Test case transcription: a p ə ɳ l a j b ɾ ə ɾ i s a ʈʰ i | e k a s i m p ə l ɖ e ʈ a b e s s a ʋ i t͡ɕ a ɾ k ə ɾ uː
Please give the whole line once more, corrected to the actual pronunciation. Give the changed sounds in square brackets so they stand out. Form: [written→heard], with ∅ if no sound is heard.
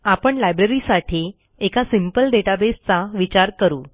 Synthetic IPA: a p ə ɳ l a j b ɾ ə ɾ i s a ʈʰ i | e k a s i m p ə l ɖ e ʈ a b e s [s→t͡s] a ʋ i t͡ɕ a ɾ k ə ɾ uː